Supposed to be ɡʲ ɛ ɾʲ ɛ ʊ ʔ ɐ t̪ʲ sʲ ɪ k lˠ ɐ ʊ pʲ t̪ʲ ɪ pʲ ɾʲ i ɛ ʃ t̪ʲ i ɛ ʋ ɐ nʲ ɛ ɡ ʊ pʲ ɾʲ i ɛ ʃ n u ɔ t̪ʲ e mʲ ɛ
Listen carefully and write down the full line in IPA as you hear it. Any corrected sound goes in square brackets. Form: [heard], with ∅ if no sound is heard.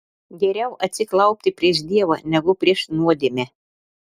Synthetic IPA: ɡʲ ɛ ɾʲ ɛ ʊ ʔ ɐ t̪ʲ sʲ ɪ k lˠ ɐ ʊ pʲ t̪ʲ ɪ pʲ ɾʲ i ɛ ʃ [d̪ʲ] i ɛ ʋ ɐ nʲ ɛ ɡ ʊ pʲ ɾʲ i ɛ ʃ n u ɔ [d̪ʲ] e mʲ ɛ